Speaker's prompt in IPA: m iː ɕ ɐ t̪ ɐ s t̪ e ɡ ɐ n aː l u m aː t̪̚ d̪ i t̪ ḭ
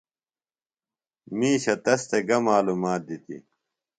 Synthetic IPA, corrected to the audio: m iː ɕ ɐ t̪ ɐ s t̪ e ɡ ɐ m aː l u m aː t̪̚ d̪ i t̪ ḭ